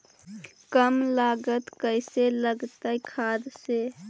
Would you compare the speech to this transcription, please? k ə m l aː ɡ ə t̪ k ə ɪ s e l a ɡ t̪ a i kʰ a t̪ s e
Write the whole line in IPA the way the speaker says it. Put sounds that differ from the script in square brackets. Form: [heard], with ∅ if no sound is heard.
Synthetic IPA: k ə m l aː ɡ ə t̪ k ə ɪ s e l [ə] ɡ t̪ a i kʰ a [d̪] s e